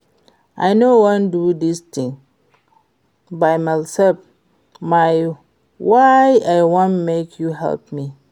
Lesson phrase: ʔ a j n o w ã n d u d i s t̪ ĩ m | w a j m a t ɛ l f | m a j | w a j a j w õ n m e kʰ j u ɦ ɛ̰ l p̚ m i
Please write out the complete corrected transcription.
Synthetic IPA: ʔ a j n o w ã n d u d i s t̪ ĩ ŋ | b a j m a s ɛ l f | m a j | w a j a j w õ n m e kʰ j u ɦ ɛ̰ l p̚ m i